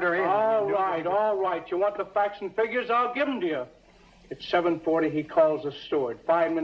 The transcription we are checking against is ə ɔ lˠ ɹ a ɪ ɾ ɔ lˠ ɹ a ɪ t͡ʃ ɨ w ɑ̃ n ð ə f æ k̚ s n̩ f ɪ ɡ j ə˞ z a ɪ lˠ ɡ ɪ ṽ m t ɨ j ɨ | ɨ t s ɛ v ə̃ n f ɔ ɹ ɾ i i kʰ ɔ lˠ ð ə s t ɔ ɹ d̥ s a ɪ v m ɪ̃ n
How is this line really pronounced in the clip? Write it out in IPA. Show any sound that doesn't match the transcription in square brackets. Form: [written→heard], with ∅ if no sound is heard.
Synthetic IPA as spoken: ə ɔ lˠ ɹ a ɪ ɾ ɔ lˠ ɹ a ɪ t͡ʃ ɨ w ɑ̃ n ð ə f æ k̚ s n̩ f ɪ ɡ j ə˞ z a ɪ lˠ ɡ ɪ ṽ m t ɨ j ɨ | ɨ t s ɛ v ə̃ n f ɔ ɹ ɾ i i kʰ ɔ lˠ [ð→z] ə s t ɔ ɹ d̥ [s→f] a ɪ v m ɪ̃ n